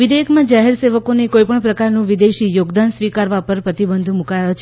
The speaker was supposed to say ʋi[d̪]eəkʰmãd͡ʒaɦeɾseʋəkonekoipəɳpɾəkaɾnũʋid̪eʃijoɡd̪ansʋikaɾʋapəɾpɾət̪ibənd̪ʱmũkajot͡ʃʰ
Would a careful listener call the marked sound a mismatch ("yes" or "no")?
no